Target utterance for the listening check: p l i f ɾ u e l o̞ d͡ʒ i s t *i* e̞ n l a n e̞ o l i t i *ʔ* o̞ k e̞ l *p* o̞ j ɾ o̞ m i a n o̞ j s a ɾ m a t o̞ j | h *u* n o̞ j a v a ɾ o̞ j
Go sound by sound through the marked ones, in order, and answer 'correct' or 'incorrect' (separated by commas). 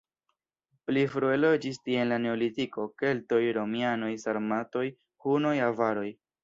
correct, incorrect, incorrect, correct